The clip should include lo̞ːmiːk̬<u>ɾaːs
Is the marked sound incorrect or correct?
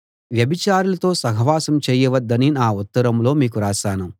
correct